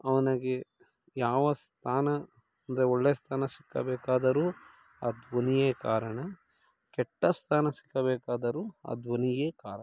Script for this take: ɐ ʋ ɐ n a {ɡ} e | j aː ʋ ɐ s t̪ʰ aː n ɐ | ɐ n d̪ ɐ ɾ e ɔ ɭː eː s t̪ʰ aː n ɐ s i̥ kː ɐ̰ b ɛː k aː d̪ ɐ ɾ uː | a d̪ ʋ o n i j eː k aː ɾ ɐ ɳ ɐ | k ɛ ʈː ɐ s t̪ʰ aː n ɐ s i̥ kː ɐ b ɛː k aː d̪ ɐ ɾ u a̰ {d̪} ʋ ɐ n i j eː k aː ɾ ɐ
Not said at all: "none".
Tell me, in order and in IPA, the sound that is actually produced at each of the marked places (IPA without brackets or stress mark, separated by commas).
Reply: ɡ, d̪